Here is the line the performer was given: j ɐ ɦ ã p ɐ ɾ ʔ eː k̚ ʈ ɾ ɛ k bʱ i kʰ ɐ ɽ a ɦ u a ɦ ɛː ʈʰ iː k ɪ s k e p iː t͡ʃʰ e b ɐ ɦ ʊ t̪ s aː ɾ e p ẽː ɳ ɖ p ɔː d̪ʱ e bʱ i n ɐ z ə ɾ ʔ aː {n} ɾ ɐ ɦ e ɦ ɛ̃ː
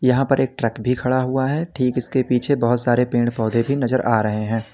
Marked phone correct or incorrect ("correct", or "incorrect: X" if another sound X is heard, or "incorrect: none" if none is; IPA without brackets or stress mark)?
incorrect: none